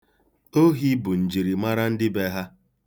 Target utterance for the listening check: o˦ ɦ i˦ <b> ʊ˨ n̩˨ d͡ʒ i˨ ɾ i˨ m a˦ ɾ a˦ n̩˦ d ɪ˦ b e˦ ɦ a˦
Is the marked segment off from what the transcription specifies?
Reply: no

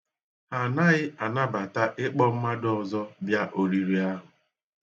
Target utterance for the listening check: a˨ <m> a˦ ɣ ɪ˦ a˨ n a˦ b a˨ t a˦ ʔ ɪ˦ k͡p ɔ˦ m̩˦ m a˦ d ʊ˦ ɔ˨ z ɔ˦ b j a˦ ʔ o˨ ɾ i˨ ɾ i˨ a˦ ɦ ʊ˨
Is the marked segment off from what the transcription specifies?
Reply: yes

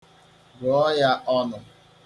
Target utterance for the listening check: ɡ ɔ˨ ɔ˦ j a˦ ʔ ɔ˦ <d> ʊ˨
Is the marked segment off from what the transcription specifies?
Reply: yes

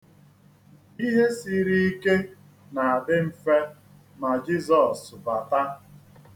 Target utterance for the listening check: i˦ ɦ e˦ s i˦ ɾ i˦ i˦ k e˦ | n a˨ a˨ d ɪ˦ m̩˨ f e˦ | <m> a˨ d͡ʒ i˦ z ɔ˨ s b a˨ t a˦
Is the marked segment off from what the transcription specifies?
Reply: no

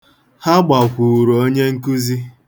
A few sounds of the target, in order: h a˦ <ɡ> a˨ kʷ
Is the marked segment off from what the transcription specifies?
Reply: yes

